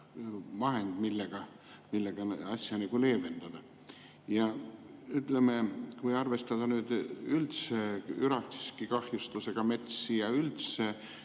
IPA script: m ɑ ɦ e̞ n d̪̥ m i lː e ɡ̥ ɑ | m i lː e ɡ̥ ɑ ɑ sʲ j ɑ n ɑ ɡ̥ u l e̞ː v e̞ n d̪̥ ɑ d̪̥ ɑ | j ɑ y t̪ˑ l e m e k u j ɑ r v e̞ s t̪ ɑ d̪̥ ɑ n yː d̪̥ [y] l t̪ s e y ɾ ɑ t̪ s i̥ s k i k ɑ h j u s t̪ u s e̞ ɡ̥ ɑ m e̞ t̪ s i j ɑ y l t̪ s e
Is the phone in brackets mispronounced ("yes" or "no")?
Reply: no